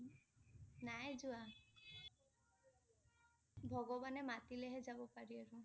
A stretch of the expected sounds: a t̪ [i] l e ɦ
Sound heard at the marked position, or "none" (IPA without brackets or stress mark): i